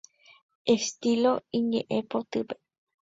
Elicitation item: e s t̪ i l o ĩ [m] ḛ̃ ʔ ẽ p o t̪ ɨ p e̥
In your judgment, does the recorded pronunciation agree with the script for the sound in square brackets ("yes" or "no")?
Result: no